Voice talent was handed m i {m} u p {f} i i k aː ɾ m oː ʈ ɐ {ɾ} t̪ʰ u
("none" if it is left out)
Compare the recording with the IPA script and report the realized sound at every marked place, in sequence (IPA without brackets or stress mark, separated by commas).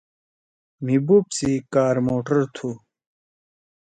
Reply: b, s, ɾ